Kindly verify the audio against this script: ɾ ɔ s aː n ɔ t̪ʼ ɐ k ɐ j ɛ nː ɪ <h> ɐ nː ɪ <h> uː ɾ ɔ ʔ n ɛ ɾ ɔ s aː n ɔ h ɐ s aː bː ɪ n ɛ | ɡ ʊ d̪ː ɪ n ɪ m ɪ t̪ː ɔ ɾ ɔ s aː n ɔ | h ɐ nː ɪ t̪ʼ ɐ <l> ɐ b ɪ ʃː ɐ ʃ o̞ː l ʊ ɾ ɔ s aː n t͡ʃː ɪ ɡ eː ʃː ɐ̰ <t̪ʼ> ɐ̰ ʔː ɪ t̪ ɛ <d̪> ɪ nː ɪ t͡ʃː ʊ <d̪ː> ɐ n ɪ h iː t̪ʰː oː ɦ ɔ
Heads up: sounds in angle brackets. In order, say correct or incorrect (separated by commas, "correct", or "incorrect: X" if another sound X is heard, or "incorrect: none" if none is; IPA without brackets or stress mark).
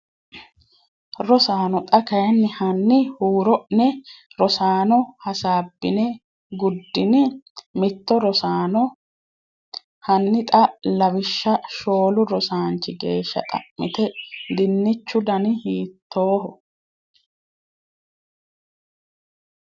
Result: correct, correct, correct, correct, correct, incorrect: d̪